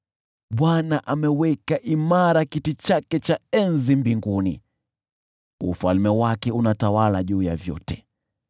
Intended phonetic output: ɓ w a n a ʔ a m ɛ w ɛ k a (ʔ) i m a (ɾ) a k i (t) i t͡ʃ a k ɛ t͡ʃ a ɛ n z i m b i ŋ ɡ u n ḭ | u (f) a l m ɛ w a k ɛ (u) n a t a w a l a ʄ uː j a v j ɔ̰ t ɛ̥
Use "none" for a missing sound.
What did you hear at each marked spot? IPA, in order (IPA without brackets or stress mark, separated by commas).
ʔ, ɾ, t, f, u